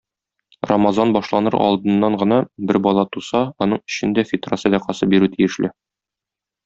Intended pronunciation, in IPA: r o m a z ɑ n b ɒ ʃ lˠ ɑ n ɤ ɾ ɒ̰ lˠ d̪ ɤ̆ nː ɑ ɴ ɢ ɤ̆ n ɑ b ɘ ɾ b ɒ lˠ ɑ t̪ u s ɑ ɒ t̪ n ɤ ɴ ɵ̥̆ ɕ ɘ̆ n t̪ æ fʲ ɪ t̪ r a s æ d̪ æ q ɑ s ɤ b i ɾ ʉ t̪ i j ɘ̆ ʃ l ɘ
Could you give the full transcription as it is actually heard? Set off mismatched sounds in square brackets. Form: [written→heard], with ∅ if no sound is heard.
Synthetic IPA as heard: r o m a z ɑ n b ɒ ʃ lˠ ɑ n ɤ ɾ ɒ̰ lˠ d̪ ɤ̆ nː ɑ ɴ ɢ ɤ̆ n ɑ b ɘ ɾ b ɒ lˠ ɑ t̪ u s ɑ ɒ [t̪→∅] n ɤ ɴ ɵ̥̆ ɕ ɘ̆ n [t̪→d̪] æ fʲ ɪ t̪ r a s æ d̪ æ q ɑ s ɤ b i ɾ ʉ t̪ i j ɘ̆ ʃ l ɘ